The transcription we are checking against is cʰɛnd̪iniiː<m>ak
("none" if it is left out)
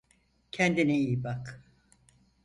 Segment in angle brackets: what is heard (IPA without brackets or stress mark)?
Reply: b